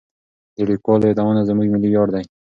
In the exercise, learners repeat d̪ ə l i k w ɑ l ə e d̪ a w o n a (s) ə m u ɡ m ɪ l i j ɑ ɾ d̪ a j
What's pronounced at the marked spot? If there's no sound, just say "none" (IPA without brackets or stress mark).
z